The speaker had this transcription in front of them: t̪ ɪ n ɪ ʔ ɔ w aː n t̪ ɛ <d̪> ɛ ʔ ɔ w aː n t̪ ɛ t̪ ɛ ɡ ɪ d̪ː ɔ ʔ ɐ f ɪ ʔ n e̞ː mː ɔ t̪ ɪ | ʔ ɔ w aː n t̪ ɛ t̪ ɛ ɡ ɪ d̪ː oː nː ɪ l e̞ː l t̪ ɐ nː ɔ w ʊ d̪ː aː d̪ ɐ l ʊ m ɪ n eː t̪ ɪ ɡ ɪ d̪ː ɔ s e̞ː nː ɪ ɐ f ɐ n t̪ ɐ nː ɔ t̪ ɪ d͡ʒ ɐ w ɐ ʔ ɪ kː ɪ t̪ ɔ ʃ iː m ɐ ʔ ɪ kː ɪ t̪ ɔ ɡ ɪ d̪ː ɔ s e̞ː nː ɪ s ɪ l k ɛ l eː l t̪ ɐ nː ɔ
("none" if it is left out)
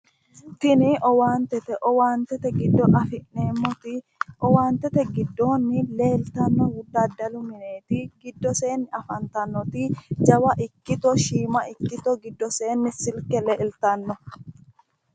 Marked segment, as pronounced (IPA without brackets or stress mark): t̪